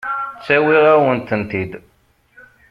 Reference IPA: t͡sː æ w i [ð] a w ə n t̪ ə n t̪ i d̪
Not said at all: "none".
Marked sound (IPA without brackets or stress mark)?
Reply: ʁ